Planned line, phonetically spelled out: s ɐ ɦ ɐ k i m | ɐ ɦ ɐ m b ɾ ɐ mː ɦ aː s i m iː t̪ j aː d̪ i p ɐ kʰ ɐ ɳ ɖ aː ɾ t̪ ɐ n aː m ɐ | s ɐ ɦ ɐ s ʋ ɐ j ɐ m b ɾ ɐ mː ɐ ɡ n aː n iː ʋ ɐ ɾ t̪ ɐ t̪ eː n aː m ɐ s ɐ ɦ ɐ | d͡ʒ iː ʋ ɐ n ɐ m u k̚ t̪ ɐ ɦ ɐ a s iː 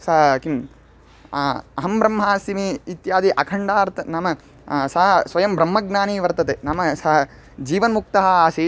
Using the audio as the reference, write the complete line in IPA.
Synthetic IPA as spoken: s ɐ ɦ ɐ k i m | ɐ ɦ ɐ m b ɾ ɐ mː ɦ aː s i m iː t̪ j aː d̪ i ʔ ɐ kʰ ɐ ɳ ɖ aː ɾ t̪ ɐ n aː m ɐ | s ɐ ɦ ɐ s ʋ ɐ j ɐ m b ɾ ɐ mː ɐ ɡ n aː n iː ʋ ɐ ɾ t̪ ɐ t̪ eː n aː m ɐ s ɐ ɦ ɐ | d͡ʒ iː ʋ ɐ n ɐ m u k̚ t̪ ɐ ɦ ɐ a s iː